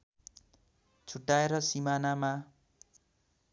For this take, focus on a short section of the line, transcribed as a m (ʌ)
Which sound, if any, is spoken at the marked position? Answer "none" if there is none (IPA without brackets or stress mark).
a